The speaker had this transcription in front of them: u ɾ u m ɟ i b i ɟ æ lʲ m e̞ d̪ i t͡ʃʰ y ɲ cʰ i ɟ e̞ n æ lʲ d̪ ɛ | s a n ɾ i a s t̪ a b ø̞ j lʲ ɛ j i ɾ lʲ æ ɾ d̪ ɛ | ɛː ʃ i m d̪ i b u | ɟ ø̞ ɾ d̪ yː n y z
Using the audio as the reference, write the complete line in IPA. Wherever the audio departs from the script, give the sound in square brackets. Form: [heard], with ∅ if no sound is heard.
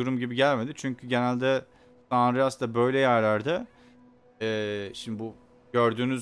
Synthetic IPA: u ɾ u m ɟ i b i ɟ æ lʲ m e̞ d̪ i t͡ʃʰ y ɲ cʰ [y] ɟ e̞ n æ lʲ d̪ ɛ | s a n ɾ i a s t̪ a b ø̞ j lʲ ɛ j [æ] ɾ lʲ æ ɾ d̪ ɛ | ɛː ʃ i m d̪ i b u | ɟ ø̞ ɾ d̪ yː n y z

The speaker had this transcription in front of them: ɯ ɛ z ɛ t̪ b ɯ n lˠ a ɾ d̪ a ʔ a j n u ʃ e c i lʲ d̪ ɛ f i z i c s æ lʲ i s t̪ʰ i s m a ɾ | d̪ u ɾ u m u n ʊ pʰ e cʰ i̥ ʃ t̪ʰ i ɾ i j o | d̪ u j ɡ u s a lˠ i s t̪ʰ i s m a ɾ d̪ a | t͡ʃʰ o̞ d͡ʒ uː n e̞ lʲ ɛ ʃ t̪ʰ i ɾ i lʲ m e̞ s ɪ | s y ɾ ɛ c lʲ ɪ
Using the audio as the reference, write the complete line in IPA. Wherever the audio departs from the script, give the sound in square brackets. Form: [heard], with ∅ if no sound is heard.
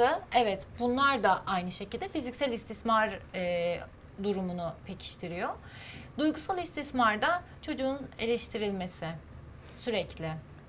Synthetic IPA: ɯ ɛ [v] ɛ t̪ b [u] n lˠ a ɾ d̪ a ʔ a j n [ɯ] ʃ e c i lʲ d̪ ɛ f i z i c s æ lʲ i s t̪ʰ i s m a ɾ | d̪ u ɾ u m u n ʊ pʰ e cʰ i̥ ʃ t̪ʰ i ɾ i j o | d̪ u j ɡ u s a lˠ i s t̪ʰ i s m a ɾ d̪ a | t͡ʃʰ o̞ d͡ʒ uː n e̞ lʲ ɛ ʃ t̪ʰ i ɾ i lʲ m e̞ s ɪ | s y ɾ ɛ c lʲ ɪ

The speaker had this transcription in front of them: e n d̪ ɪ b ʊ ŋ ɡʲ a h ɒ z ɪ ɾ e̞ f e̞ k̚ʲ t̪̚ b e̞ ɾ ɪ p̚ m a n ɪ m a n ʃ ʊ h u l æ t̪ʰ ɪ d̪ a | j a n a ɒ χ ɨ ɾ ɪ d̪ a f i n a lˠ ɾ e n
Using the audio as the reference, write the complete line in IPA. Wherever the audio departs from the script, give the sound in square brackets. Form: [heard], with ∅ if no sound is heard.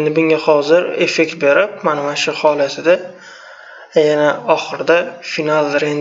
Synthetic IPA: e n d̪ ɪ b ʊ ŋ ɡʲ a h ɒ z ɪ ɾ e̞ f e̞ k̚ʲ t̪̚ b e̞ ɾ ɪ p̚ m a n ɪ m a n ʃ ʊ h [ɒ] l [a] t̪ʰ ɪ d̪ a | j a n a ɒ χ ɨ ɾ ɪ d̪ a f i n a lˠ ɾ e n

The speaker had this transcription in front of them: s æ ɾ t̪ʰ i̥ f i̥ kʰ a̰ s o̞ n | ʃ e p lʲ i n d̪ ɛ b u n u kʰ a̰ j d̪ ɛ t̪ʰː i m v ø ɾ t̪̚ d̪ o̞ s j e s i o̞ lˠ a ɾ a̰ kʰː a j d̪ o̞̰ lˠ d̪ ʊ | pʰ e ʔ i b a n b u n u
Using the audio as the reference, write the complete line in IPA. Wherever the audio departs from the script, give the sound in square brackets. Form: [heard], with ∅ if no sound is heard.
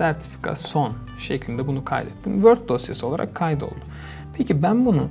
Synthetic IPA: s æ ɾ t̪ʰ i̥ f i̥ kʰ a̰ s o̞ n | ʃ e [c] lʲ i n d̪ ɛ b u n u kʰ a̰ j d̪ ɛ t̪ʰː i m v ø ɾ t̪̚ d̪ o̞ s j e s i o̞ lˠ a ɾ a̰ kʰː a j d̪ o̞̰ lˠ d̪ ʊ | pʰ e [c] i b [æ] n b u n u

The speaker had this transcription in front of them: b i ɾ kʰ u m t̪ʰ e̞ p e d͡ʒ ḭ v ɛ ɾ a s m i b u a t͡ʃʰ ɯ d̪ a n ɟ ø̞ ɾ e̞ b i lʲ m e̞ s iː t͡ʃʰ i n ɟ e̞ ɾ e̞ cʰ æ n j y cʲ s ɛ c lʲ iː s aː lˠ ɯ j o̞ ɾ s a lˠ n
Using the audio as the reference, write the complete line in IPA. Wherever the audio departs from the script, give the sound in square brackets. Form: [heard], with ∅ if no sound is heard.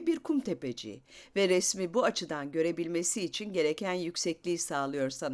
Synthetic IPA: b i ɾ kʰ u m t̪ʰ e̞ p e d͡ʒ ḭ v ɛ ɾ [ɛ] s m i b u a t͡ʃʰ ɯ d̪ a n ɟ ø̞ ɾ e̞ b i lʲ m e̞ s iː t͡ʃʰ i n ɟ e̞ ɾ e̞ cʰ æ n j y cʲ s ɛ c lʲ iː s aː lˠ ɯ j o̞ ɾ s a [∅] n

